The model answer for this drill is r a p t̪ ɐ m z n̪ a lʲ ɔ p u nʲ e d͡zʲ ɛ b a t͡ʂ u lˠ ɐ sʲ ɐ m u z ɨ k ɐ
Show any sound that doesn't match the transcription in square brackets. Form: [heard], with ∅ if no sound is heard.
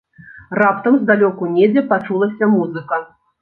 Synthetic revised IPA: r a p t̪ ɐ m z [d̪] a lʲ ɔ [k] u nʲ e d͡zʲ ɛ [p] a t͡ʂ u lˠ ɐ sʲ ɐ m u z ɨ k ɐ